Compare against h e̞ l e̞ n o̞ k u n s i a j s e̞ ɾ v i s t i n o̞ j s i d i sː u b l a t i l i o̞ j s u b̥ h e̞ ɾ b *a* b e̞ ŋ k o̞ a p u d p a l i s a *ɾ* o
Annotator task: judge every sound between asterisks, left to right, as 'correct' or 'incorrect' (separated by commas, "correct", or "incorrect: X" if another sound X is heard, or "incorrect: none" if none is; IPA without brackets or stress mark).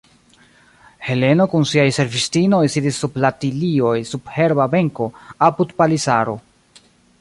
correct, correct